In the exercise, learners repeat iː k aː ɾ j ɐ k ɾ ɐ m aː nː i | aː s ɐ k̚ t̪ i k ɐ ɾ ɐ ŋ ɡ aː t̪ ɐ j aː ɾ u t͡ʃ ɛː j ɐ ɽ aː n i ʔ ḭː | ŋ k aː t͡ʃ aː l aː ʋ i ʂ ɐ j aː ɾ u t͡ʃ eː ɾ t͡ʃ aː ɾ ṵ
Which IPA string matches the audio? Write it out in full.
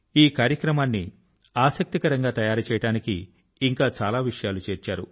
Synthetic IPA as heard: iː k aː ɾ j ɐ k ɾ ɐ m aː nː i | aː s ɐ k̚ t̪ i k ɐ ɾ ɐ ŋ ɡ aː t̪ ɐ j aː ɾ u t͡ʃ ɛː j ɐ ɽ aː n i k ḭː | ŋ k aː t͡ʃ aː l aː ʋ i ʂ ɐ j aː l u t͡ʃ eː ɾ t͡ʃ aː ɾ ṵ